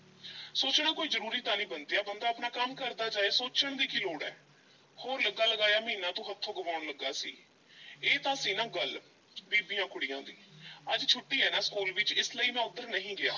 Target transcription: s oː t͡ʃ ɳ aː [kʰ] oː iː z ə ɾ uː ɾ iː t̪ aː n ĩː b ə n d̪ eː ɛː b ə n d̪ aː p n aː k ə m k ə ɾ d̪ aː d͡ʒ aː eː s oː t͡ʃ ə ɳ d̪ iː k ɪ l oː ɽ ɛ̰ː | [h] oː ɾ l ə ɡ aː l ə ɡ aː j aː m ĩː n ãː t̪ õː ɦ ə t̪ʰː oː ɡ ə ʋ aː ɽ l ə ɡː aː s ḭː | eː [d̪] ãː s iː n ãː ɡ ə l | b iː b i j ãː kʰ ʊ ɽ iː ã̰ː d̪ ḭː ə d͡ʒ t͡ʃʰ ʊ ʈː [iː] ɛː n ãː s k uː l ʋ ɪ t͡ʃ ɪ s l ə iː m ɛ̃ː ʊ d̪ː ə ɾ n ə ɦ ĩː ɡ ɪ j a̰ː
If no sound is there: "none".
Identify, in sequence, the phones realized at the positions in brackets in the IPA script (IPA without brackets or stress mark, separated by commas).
k, h, t̪, iː